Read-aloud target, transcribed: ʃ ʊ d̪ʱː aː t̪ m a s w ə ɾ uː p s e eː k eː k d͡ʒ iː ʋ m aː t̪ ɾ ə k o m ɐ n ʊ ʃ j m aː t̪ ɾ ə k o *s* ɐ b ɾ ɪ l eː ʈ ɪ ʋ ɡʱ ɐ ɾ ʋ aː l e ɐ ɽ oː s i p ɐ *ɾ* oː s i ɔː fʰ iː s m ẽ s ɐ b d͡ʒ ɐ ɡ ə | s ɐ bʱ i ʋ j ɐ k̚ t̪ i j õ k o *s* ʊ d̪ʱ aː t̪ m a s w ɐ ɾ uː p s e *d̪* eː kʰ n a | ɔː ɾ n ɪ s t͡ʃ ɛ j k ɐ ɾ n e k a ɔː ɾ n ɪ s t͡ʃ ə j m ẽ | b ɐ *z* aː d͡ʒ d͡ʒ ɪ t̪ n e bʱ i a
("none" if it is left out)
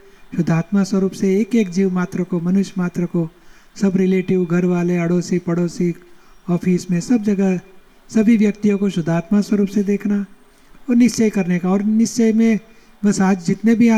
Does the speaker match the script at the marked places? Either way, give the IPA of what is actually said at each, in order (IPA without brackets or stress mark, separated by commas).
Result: s, ɽ, ʃ, d̪, s